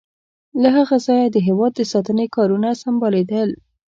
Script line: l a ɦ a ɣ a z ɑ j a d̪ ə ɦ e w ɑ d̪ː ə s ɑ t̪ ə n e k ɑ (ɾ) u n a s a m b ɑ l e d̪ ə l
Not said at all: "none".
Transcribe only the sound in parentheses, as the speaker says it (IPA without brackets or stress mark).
ɾ